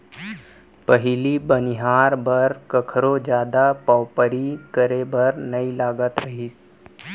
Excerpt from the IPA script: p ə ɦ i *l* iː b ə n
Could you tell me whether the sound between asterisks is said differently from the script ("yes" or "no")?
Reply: no